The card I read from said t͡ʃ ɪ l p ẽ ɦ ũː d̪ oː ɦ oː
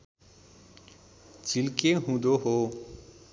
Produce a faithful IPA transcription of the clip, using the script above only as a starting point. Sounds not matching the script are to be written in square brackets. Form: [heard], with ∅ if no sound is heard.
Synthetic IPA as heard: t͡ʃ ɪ l [k] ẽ ɦ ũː d̪ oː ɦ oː